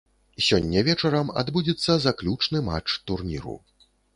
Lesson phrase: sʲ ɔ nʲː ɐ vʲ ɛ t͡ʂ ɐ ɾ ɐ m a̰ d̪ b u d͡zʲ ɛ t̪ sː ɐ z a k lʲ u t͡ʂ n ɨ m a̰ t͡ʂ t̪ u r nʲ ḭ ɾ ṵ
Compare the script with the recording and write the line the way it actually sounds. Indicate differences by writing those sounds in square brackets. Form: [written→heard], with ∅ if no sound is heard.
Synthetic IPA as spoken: sʲ ɔ nʲː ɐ vʲ ɛ t͡ʂ ɐ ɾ ɐ m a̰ d̪ b u d͡zʲ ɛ t̪ sː ɐ z a k lʲ u t͡ʂ n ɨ m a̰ t͡ʂ t̪ u r nʲ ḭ ɾ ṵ